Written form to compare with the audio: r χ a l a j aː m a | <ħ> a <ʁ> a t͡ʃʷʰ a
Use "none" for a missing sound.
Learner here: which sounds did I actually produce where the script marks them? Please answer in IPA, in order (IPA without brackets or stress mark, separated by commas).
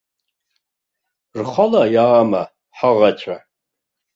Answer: ħ, ʁ